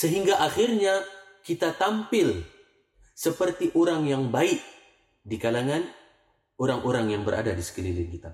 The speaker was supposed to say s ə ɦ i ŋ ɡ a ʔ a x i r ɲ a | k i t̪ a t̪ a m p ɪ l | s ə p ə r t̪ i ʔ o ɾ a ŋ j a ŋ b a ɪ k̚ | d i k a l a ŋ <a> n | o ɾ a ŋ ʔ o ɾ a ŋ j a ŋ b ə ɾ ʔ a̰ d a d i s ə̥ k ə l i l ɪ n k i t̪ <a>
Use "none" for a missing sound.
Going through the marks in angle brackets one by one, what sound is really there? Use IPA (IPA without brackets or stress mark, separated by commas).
a, a